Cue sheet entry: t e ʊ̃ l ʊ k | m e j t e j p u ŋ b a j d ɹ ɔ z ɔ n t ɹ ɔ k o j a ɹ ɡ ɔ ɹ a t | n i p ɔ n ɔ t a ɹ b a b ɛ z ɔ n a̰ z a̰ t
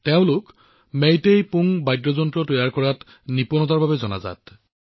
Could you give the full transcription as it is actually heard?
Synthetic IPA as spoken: t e ʊ̃ l ʊ k | m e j t e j p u ŋ b a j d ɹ ɔ z ɔ n t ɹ ɔ t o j a ɹ k ɔ ɹ a t | n i p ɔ n ɔ t a ɹ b a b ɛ z ɔ n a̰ z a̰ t